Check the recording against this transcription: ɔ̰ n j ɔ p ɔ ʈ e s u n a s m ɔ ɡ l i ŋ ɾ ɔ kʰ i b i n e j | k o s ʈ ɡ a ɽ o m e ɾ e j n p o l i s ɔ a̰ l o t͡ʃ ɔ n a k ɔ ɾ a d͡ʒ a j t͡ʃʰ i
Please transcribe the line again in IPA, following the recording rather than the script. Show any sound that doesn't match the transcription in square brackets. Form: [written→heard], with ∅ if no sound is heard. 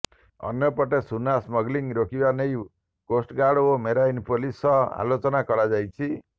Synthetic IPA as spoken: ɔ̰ n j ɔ p ɔ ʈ e s u n a s m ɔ ɡ l i ŋ ɾ [ɔ→o] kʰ i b [i→a] n e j | k o s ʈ ɡ a ɽ o m e ɾ [e→a] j n p o l i s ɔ a̰ l o t͡ʃ ɔ n a k ɔ ɾ a d͡ʒ a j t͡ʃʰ i